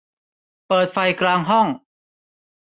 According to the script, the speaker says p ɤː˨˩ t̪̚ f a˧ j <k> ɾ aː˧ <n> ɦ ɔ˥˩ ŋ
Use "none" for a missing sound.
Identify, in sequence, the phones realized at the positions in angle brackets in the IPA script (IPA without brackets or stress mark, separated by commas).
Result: k, ŋ